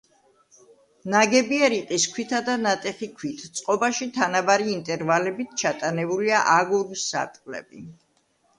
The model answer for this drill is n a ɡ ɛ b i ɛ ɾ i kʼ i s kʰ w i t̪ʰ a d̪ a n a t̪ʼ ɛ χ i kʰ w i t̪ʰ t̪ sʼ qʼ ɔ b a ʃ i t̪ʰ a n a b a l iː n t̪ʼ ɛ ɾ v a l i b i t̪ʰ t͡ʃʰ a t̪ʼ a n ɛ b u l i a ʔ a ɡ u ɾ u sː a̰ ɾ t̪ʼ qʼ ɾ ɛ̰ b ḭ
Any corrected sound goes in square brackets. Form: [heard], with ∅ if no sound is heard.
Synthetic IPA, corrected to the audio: n a ɡ ɛ b i ɛ ɾ i [qʼ] i s kʰ w i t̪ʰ a d̪ a n a t̪ʼ ɛ χ i kʰ w i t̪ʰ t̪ sʼ qʼ ɔ b a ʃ i t̪ʰ a n a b a [ɾ] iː n t̪ʼ ɛ ɾ v a l [ɛ] b i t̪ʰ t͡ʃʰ a t̪ʼ a n ɛ b u l i a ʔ a ɡ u ɾ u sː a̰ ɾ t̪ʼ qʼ [l] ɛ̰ b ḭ